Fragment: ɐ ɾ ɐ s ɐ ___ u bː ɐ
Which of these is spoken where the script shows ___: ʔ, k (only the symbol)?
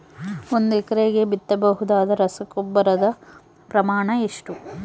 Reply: k